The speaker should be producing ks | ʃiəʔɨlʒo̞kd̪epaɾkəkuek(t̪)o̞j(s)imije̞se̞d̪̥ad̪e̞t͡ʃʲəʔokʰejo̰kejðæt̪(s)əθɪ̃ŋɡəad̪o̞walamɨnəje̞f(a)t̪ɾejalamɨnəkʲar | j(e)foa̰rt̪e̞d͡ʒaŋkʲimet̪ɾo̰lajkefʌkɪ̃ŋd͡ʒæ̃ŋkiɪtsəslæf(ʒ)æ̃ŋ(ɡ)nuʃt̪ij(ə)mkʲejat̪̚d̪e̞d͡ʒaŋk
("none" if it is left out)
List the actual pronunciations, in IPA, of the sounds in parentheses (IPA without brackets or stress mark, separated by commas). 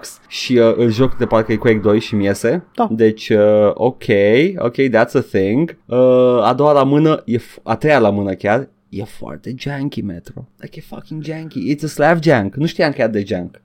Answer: d̪, ʃ, s, a, e, d͡ʒ, k, a